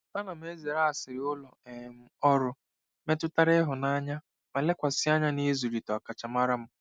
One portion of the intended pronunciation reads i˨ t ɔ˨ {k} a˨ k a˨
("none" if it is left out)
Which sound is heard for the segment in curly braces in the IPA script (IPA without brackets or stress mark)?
none